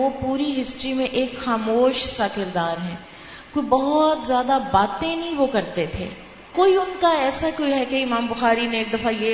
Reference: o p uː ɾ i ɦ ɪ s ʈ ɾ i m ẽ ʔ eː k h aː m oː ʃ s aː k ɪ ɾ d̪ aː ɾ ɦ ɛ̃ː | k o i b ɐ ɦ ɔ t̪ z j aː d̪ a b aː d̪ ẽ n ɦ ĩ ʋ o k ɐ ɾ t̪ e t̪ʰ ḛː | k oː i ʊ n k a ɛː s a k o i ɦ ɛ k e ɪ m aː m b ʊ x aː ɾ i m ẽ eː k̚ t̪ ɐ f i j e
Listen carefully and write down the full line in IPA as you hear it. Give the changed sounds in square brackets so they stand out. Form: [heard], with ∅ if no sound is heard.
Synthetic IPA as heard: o p uː ɾ i ɦ ɪ s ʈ ɾ i m ẽ ʔ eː k [x] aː m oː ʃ s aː k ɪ ɾ d̪ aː ɾ ɦ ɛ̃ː | k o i b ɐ ɦ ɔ t̪ z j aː d̪ a b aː [t̪] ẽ n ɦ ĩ ʋ o k ɐ ɾ t̪ e t̪ʰ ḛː | k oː i ʊ n k a ɛː s a k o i ɦ ɛ k e ɪ m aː m b ʊ x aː ɾ i [n] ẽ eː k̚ [d̪] ɐ f [a] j e